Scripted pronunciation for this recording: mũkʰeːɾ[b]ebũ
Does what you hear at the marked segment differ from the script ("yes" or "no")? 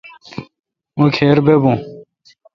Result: no